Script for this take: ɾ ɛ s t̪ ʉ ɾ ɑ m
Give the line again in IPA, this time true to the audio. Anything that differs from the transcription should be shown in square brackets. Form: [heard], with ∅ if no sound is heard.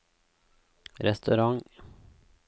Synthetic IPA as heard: ɾ ɛ s t̪ ʉ ɾ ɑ [ŋ]